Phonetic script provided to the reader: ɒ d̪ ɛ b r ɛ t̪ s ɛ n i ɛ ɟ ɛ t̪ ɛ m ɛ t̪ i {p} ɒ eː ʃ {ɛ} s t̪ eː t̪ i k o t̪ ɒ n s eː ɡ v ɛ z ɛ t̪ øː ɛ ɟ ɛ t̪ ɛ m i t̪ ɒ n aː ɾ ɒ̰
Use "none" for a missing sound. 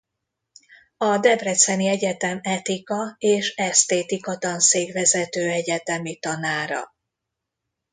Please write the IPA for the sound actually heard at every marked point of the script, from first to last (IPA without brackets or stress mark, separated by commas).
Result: k, ɛ